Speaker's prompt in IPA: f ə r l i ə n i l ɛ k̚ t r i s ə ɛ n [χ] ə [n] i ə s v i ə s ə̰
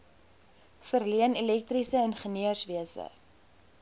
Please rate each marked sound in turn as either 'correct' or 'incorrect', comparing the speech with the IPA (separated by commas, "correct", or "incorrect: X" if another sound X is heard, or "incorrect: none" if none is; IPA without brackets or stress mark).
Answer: correct, correct